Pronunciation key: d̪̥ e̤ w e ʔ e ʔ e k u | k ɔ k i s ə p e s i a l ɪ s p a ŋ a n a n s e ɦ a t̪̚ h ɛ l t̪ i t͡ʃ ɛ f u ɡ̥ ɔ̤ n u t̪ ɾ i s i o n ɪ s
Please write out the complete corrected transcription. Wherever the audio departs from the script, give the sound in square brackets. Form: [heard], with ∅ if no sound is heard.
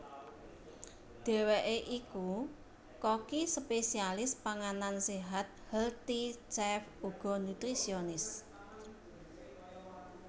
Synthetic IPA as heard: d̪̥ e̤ w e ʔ e ʔ [i] k u | k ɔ k i s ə p e s i a l ɪ s p a ŋ a n a n s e ɦ a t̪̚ h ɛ l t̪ i t͡ʃ ɛ f u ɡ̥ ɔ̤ n u t̪ ɾ i s i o n ɪ s